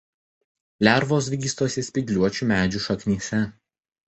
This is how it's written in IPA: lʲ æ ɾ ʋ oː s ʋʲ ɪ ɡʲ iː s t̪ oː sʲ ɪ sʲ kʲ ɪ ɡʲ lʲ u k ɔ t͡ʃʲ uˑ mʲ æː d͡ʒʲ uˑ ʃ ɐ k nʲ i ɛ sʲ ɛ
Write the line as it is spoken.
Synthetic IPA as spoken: lʲ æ ɾ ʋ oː s ʋʲ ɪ ɡʲ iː s t̪ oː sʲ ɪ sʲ pʲ ɪ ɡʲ lʲ u ɔ t͡ʃʲ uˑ mʲ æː d͡ʒʲ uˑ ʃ ɐ k nʲ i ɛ sʲ ɛ

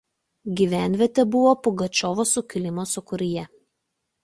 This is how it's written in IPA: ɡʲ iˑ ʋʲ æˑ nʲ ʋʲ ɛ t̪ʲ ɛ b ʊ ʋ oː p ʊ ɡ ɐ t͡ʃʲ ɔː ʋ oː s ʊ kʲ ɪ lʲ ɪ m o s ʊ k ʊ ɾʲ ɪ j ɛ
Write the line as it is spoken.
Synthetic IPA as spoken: ɡʲ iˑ ʋʲ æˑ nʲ ʋʲ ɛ t̪ʲ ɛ b ʊ ʋ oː p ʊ ɡ ɐ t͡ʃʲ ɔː ʋ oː s ʊ kʲ ɪ lʲ ɪ m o s ʊ k ʊ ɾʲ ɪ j ɛ

